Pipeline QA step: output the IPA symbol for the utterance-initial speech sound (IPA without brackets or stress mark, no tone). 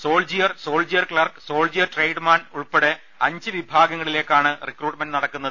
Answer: s